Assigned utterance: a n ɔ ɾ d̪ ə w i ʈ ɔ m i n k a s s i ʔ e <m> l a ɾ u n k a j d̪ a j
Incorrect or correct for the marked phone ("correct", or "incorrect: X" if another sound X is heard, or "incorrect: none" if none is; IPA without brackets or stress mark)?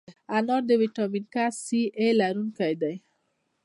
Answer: incorrect: none